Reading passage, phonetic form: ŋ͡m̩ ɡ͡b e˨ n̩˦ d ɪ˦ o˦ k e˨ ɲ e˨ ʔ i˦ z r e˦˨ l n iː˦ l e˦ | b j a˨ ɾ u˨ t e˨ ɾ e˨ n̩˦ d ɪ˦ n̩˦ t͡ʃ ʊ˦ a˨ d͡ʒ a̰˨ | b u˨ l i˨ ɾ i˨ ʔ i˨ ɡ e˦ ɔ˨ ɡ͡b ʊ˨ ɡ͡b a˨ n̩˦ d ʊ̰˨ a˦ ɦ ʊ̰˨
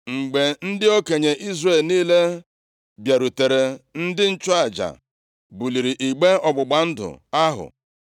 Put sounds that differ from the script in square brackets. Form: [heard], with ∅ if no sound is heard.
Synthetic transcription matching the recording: ŋ͡m̩ ɡ͡b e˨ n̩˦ d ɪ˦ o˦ k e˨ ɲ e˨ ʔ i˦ z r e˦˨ l n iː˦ l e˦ | b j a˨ ɾ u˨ t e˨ ɾ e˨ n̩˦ d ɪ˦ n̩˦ t͡ʃ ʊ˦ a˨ d͡ʒ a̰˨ | b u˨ l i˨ ɾ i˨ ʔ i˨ [ɡ͡b] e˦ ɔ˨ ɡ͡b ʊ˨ ɡ͡b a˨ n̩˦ d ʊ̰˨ a˦ ɦ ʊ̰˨